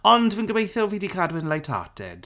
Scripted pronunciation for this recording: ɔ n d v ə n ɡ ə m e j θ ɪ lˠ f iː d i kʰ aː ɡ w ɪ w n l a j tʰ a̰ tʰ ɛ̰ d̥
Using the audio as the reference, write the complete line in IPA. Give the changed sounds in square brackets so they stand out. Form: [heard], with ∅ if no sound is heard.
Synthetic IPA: ɔ n d v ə n ɡ ə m e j θ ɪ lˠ [v] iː d i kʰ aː [d] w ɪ [∅] n l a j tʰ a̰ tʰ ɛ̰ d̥